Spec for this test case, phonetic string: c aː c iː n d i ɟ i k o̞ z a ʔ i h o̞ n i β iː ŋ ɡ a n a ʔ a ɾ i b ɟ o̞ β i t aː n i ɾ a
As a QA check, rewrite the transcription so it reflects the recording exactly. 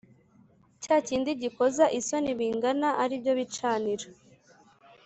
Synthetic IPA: c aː c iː n d i ɟ i k o̞ z a ʔ i s o̞ n i β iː ŋ ɡ a n a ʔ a ɾ i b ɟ o̞ β i t͡ʃ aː n i ɾ a